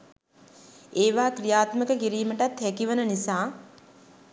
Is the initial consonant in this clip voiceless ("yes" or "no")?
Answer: no